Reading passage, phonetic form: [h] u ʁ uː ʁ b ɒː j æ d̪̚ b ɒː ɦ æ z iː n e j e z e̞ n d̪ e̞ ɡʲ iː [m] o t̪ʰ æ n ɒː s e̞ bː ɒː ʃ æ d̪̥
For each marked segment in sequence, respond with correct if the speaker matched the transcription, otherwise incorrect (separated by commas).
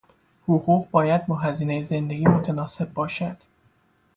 correct, correct